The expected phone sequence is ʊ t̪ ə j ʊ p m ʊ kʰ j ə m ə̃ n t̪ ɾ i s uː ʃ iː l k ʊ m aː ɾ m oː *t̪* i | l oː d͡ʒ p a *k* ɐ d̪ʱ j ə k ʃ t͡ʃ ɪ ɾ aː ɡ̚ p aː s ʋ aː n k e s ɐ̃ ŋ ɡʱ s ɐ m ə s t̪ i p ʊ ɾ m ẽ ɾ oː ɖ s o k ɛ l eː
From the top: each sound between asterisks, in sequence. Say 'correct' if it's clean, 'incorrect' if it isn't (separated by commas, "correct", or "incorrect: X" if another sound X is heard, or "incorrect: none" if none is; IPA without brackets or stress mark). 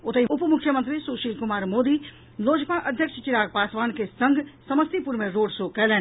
incorrect: d̪, incorrect: ʔ